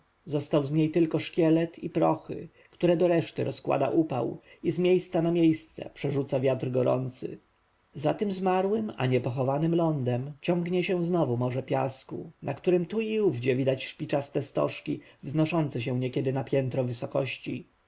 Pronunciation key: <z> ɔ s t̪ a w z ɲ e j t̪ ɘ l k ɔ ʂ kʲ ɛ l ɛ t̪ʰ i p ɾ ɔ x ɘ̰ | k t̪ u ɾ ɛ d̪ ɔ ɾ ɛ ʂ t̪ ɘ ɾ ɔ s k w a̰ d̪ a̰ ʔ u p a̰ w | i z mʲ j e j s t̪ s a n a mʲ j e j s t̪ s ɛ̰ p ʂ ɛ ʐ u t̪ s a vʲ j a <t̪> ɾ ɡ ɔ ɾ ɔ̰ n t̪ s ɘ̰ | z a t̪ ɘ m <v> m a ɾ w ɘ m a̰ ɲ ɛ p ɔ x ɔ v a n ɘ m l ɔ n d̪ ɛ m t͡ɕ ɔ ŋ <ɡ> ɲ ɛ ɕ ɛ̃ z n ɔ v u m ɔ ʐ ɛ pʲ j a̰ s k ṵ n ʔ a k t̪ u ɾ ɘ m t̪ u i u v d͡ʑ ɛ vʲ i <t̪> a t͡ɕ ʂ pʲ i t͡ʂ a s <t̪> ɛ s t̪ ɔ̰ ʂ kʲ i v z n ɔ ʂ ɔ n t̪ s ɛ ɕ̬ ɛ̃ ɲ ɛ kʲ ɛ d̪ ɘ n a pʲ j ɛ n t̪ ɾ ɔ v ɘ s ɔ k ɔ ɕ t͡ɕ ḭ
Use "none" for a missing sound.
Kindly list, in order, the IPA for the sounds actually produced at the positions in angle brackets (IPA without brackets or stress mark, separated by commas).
z, t̪, z, ɡ, d̪, t̪